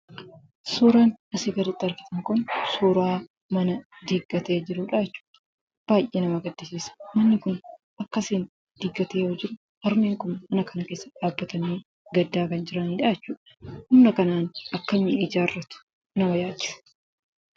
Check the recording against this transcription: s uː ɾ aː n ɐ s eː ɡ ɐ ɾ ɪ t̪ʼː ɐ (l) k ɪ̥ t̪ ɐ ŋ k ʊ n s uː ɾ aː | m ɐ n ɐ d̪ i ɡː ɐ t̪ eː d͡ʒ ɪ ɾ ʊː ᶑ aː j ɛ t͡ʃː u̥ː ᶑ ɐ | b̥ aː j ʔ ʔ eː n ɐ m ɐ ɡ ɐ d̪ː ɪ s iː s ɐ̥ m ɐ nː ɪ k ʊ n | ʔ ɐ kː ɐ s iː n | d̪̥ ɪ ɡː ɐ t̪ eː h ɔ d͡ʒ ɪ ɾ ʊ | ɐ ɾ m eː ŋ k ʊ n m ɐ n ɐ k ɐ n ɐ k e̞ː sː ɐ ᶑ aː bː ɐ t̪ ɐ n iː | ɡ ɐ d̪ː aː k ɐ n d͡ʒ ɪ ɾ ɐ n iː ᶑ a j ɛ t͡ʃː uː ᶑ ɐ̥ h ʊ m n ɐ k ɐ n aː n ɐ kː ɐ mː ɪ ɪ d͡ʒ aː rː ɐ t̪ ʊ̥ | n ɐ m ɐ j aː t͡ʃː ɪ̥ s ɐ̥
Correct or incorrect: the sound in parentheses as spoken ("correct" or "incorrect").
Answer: incorrect